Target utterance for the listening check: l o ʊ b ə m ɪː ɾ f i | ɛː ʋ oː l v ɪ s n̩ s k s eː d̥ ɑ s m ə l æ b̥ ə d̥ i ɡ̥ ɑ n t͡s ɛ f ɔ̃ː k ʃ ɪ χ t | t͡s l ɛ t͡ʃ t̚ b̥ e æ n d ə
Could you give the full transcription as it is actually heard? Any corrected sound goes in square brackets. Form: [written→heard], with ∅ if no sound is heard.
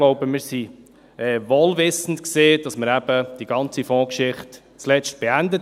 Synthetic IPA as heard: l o ʊ b ə m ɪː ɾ [f→s] i | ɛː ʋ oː l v ɪ s n̩ [s→t] k s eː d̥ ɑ s m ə [l→ɾ] æ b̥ ə d̥ i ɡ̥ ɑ n t͡s [ɛ→i] f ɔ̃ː k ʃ ɪ χ t | t͡s l ɛ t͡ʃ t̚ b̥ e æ n d ə